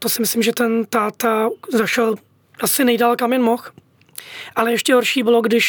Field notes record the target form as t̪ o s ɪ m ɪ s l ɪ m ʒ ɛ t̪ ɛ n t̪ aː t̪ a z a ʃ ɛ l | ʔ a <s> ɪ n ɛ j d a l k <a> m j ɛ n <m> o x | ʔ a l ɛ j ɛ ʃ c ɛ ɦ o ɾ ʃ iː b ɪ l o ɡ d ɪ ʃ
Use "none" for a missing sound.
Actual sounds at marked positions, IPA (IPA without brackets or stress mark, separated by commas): s, a, m